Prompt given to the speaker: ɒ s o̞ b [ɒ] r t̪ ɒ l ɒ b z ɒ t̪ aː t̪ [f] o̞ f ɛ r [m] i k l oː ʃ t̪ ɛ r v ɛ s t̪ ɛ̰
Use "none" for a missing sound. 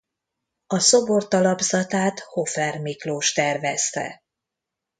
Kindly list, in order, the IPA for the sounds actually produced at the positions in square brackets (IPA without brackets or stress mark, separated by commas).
o, h, m